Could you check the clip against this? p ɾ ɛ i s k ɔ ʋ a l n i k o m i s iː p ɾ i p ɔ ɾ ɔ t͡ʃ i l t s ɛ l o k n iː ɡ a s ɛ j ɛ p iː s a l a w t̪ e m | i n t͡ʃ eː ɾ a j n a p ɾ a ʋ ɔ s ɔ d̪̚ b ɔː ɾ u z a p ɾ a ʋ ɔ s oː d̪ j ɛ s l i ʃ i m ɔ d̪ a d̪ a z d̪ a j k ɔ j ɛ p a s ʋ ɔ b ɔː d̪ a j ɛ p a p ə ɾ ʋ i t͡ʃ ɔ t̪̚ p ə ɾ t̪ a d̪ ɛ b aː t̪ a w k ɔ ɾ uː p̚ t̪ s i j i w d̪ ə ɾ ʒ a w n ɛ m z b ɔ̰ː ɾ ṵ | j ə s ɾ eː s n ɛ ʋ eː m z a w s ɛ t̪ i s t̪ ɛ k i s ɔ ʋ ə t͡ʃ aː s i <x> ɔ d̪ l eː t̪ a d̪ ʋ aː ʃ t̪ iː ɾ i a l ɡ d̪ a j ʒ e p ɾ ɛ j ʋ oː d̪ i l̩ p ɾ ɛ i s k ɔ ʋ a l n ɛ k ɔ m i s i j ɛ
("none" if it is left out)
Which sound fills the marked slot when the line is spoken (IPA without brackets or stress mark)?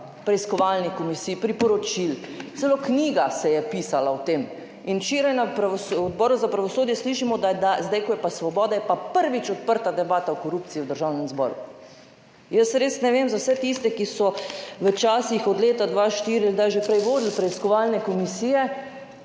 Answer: x